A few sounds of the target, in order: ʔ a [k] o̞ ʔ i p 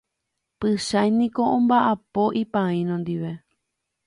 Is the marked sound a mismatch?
yes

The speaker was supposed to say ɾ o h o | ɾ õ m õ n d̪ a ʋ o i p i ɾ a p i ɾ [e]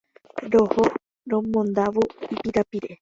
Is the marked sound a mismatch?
no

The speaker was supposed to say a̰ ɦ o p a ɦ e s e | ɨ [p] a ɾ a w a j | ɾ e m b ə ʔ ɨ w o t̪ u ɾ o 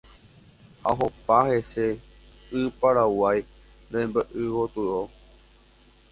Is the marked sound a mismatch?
no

